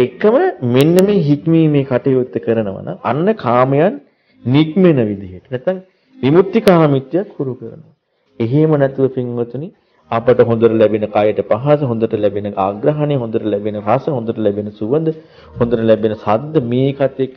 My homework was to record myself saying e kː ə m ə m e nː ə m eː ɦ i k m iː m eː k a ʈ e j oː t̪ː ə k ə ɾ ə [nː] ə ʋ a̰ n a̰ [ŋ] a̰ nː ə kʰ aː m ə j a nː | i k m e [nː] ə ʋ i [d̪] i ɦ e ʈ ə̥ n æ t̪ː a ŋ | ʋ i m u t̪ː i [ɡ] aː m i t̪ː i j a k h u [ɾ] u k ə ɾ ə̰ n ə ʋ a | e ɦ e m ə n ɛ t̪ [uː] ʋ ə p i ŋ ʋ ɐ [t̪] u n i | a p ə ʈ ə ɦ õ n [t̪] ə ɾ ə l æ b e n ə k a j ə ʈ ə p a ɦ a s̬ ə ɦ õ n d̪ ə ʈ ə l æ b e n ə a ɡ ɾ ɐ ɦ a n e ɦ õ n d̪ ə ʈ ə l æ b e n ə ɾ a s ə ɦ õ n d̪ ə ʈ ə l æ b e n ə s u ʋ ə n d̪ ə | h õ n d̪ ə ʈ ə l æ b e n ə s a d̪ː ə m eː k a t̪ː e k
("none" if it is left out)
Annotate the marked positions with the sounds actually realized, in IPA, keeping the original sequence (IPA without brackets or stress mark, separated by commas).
n, ŋ, n, d̪, k, ɾ, u, t̪, d̪